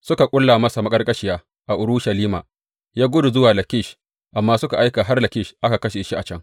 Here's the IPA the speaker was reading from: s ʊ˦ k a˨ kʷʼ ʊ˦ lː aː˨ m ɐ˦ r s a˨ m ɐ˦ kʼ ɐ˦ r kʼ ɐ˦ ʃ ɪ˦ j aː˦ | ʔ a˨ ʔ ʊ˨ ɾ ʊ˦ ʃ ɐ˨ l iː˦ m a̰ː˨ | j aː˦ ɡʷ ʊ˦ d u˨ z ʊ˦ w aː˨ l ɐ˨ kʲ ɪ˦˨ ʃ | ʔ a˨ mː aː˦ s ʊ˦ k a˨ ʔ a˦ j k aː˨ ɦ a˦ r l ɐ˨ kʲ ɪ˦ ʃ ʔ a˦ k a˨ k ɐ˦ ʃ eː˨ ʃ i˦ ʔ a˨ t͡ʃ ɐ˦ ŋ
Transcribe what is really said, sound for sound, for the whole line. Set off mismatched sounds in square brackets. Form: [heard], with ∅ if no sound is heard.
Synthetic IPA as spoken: s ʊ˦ k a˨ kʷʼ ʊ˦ lː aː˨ m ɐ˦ [∅] s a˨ m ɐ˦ kʼ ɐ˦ r kʼ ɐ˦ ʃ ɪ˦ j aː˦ | ʔ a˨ ʔ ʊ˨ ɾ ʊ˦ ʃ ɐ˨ l iː˦ m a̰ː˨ | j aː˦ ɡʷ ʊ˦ d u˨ z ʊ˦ w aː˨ l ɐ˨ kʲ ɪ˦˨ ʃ | ʔ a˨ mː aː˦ s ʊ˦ k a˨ ʔ a˦ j k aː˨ ɦ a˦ r l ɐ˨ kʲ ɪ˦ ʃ ʔ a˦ k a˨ k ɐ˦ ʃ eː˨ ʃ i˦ ʔ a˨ t͡ʃ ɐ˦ ŋ